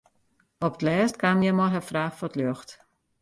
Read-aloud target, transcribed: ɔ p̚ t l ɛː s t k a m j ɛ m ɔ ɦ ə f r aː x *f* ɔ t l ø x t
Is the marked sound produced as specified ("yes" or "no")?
yes